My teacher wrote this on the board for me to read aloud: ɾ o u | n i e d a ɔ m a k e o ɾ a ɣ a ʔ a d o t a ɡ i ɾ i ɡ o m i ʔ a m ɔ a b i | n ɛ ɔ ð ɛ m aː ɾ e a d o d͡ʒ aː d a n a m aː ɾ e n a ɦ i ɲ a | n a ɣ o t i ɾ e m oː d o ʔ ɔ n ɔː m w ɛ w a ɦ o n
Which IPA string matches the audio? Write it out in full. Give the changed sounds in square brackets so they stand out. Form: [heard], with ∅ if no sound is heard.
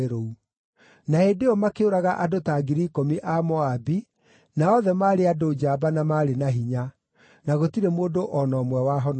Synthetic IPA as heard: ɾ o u | n [a] e d [e] ɔ m a k e o ɾ a ɣ a ʔ a d o t a ɡ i ɾ i [k] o m i ʔ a m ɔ a b i | n [a] ɔ ð ɛ m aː ɾ e a d o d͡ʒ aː [b] a n a m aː ɾ e n a ɦ i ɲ a | n a ɣ o t i ɾ e m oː d o ʔ ɔ n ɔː m w ɛ w a ɦ [ɔ] n